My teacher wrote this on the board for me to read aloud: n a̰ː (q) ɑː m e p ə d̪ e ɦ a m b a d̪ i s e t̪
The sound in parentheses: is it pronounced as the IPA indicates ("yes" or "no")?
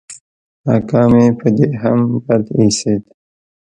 no